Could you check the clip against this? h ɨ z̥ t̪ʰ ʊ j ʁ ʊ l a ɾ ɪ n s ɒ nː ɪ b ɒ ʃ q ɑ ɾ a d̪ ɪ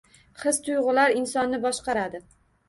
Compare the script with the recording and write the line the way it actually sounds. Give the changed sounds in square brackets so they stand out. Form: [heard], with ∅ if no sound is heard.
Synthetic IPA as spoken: [χ] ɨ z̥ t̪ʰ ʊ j ʁ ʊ l a ɾ ɪ n s ɒ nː ɪ b ɒ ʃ q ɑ ɾ a d̪ ɪ